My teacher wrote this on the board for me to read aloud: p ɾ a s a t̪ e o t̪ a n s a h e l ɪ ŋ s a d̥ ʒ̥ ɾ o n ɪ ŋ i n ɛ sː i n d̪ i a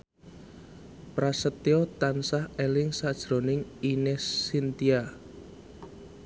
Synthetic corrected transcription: p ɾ a s ə t̪ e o t̪ a n s a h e l ɪ ŋ s a d̥ ʒ̥ ɾ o n ɪ ŋ i n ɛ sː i n t̪ i a